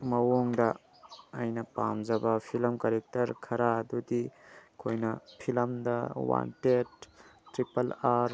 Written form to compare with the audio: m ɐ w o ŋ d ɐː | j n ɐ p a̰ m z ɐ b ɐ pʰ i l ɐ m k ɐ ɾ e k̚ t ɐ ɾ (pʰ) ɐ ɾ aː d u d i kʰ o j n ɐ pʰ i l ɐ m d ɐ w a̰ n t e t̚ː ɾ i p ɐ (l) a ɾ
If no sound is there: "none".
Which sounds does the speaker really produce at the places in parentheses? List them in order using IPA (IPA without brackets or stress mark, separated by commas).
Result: kʰ, l